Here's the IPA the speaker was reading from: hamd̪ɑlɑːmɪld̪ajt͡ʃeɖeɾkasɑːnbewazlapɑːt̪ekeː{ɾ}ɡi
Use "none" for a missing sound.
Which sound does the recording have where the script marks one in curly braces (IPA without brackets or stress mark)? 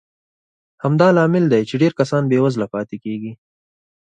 none